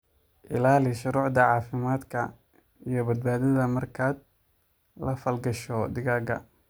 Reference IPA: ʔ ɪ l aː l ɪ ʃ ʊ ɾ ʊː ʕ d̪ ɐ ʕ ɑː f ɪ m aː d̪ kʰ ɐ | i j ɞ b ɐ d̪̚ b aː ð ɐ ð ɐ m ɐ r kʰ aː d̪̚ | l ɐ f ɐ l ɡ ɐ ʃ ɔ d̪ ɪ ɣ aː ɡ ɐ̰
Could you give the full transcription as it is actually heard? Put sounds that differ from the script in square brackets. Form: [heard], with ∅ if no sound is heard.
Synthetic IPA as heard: ʔ ɪ l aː l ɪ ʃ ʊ ɾ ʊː ʕ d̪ ɐ ʕ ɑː f ɪ m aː d̪ kʰ ɐ | i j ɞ b ɐ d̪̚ b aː ð ɐ ð ɐ m ɐ r kʰ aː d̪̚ | l ɐ f ɐ l ɡ ɐ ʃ ɔ d̪ ɪ ɣ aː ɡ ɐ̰